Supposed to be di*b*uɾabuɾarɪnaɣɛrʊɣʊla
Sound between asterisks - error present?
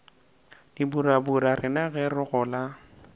no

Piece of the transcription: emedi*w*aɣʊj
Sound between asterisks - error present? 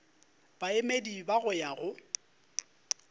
yes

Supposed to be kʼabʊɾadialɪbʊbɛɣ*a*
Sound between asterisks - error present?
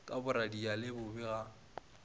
no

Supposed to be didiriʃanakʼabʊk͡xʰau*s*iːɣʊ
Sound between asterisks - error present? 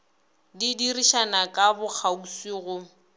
no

